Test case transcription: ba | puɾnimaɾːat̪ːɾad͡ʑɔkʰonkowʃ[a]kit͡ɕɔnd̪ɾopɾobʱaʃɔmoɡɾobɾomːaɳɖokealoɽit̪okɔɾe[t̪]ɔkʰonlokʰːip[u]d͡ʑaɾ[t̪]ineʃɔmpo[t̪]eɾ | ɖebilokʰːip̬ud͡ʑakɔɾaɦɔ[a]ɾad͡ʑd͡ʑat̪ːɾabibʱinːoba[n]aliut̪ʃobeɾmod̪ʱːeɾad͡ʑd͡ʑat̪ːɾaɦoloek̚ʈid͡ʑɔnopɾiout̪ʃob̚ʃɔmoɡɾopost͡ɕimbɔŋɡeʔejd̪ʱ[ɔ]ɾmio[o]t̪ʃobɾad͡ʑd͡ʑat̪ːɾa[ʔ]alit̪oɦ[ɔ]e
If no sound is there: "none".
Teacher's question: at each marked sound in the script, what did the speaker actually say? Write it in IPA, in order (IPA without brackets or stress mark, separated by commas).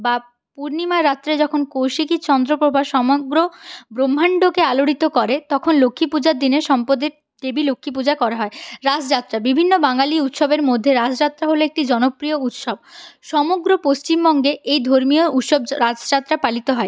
i, t̪, u, d̪, d̪, e, ŋ, o, u, p, ɔ